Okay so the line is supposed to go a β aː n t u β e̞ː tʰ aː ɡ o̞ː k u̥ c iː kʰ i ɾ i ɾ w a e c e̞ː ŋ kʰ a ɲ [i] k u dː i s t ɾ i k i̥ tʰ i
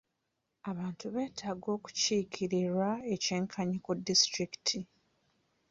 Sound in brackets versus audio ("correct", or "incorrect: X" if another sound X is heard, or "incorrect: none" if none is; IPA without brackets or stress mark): correct